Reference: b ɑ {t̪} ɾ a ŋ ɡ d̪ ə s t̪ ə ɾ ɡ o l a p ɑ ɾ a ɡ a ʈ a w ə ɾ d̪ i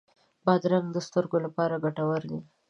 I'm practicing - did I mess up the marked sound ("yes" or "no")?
yes